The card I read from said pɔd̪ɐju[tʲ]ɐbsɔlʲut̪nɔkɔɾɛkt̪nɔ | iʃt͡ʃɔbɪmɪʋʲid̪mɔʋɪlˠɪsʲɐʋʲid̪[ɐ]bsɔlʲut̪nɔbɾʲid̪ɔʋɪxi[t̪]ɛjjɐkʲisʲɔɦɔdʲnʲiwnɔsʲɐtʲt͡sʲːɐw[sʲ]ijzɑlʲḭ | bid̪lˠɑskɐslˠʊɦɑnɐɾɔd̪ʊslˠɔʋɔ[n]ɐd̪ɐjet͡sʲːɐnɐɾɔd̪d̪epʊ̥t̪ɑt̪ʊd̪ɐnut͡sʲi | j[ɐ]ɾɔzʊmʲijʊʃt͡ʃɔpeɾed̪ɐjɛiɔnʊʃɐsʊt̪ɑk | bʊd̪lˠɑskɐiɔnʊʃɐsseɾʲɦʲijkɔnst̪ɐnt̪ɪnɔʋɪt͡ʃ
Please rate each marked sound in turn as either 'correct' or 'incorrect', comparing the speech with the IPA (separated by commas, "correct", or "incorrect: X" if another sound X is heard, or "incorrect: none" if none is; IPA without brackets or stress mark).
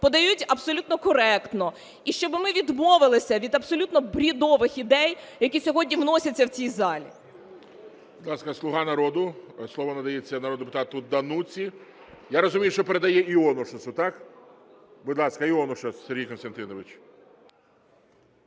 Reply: correct, correct, incorrect: d̪, incorrect: t͡sʲ, correct, incorrect: a